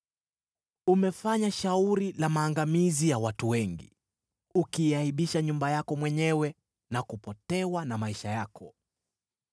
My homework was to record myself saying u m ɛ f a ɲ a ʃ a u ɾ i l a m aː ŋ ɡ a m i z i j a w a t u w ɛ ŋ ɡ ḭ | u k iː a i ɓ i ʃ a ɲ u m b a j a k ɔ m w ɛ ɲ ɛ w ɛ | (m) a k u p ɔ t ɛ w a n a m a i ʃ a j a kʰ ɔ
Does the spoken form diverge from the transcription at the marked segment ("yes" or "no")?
yes